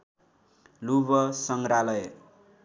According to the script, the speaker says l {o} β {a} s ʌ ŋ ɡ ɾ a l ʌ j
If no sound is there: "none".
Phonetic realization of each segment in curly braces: u, ʌ

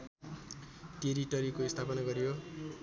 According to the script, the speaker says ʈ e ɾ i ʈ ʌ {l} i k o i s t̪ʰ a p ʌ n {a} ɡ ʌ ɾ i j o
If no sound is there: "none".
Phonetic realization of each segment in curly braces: ɾ, a

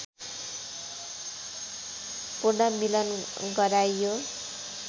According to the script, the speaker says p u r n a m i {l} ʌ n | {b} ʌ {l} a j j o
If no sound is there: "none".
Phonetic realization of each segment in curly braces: l, ɡ, ɾ

